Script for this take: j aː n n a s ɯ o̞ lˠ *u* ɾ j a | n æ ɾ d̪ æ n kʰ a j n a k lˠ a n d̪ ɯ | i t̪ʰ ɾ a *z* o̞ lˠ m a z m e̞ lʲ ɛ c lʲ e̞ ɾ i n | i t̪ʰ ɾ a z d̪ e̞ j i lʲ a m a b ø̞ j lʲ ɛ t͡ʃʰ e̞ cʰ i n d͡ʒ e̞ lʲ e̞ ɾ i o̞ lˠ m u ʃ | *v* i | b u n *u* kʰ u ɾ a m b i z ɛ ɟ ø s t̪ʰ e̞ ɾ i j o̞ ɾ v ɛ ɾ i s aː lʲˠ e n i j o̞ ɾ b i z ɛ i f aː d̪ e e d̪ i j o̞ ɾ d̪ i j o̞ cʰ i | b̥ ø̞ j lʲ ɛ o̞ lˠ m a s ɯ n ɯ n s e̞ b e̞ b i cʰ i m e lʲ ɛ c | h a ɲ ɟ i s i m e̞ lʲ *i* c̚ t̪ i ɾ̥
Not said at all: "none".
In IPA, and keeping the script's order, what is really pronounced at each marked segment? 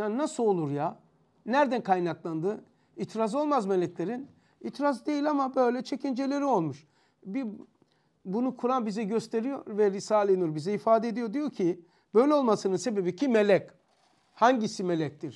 u, z, b, u, ɛ

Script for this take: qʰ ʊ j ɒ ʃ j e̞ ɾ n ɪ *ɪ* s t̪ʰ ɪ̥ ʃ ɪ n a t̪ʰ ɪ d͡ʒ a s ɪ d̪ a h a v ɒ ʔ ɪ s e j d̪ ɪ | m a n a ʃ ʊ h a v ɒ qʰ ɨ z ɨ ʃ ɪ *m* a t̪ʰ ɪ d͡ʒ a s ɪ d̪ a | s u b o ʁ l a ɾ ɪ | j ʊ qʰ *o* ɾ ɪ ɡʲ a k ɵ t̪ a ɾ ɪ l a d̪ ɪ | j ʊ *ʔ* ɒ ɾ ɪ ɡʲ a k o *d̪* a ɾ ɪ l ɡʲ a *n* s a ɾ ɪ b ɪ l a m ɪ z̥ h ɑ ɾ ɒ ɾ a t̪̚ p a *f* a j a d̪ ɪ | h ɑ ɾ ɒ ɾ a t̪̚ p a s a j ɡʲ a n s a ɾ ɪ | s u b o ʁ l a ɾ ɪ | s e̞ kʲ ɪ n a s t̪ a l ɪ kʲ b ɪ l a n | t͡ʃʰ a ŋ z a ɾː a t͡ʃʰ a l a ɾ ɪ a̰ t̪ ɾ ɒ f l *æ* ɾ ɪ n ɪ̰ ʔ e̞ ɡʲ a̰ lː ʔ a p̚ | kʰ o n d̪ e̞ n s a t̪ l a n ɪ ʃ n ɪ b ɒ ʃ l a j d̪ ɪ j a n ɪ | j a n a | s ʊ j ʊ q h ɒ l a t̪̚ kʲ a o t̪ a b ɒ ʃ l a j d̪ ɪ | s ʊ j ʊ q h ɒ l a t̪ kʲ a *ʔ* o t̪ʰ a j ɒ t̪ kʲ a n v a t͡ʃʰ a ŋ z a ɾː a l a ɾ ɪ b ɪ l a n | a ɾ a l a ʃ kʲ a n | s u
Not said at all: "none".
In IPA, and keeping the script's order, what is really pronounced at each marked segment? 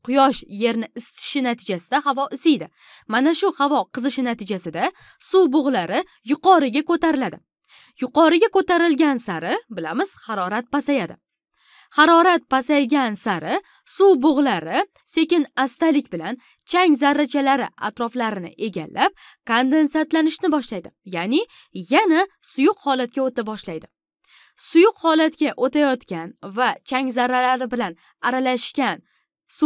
ɪ, n, ɒ, q, t̪, n, s, a, ʔ

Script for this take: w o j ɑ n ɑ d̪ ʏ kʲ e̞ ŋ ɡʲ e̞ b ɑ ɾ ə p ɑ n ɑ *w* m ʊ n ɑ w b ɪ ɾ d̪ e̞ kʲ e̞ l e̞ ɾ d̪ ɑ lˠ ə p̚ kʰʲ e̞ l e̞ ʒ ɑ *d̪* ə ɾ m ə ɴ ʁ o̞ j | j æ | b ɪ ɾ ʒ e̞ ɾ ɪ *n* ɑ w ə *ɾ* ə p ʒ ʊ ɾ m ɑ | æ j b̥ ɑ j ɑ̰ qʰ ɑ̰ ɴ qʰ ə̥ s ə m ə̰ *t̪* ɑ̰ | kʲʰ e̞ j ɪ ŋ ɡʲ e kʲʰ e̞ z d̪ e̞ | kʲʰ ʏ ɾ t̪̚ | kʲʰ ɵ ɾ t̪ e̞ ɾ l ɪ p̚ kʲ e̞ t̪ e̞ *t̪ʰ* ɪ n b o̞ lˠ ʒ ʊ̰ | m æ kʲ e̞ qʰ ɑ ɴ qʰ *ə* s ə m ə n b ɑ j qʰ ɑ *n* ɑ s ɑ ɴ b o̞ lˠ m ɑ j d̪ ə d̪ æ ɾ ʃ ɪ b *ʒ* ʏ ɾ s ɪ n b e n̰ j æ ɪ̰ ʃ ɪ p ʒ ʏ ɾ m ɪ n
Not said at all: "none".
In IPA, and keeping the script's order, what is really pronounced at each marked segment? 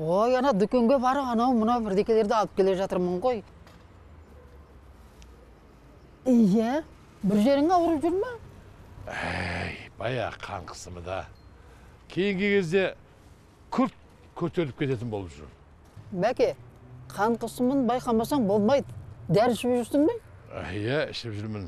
w, t̪, ŋ, ɾ, d̪, t̪, ə, m, ʒ

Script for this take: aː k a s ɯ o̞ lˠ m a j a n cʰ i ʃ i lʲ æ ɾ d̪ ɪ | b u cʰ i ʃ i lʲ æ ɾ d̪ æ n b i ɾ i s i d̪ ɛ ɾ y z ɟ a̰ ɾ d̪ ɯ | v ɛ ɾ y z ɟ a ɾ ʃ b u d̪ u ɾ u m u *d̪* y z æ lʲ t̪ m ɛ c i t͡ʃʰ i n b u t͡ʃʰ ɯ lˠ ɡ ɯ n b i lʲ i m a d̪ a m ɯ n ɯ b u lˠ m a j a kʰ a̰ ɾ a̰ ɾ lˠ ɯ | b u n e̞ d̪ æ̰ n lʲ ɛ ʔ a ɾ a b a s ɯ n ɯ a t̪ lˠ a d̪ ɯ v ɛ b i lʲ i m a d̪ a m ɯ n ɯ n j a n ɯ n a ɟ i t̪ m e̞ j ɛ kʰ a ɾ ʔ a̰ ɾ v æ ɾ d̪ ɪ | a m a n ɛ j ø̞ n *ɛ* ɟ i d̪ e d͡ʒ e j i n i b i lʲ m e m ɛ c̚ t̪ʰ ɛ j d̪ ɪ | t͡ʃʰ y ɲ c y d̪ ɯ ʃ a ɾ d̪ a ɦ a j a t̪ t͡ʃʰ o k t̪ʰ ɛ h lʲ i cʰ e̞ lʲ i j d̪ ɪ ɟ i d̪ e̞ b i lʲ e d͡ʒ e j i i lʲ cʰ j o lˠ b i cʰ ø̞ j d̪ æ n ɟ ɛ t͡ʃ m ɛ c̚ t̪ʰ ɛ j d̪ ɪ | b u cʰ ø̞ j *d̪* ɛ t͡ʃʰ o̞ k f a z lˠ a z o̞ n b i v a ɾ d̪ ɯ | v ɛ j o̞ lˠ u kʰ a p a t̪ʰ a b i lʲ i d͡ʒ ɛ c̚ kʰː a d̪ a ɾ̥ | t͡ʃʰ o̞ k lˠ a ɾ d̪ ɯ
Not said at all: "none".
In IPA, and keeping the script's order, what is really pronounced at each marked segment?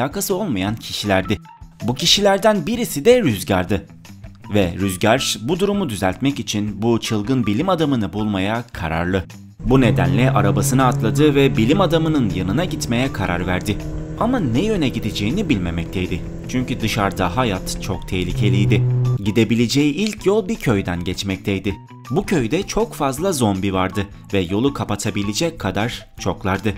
d̪, ɛ, d̪

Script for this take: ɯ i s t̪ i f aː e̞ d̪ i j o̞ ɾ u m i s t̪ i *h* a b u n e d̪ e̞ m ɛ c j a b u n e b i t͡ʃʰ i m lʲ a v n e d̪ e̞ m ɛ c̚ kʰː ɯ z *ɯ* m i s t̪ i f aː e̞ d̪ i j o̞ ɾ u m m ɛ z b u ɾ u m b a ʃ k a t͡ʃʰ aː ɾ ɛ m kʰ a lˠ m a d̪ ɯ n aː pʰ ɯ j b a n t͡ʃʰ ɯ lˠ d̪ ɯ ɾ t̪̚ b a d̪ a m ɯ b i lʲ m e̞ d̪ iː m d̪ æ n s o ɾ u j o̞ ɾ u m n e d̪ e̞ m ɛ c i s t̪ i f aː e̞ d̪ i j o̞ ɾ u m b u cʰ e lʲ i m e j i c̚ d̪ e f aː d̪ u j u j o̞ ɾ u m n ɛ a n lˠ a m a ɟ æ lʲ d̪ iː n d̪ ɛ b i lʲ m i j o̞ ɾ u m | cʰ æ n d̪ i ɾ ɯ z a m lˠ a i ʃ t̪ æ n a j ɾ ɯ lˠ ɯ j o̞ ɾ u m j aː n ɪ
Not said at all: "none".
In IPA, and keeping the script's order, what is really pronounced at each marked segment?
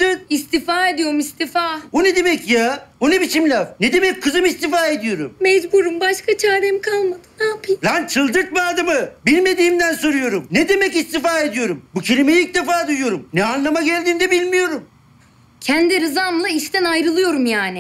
f, ɯ

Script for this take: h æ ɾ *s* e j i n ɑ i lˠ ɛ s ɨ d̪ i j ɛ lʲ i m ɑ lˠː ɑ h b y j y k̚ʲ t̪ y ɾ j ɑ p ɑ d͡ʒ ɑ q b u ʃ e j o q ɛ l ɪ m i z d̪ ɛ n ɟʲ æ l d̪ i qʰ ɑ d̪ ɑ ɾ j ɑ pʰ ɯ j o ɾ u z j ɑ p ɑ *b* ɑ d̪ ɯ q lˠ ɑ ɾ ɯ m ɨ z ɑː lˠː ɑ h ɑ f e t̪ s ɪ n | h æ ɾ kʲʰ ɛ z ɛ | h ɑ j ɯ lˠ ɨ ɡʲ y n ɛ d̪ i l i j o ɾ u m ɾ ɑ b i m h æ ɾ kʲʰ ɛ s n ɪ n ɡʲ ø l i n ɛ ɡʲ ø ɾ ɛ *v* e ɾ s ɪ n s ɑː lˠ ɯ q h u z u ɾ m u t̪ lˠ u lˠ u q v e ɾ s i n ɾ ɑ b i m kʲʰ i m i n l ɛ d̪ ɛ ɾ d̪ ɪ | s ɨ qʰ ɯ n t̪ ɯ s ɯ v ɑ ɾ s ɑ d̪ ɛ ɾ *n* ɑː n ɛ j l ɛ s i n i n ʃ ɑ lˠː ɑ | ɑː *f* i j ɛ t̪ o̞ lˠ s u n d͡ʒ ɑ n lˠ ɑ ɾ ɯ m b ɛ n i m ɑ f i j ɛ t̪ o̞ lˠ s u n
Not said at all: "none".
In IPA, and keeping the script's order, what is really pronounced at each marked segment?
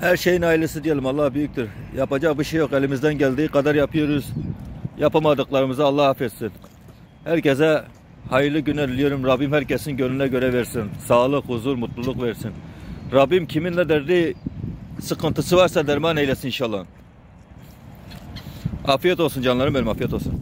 ʃ, m, v, m, f

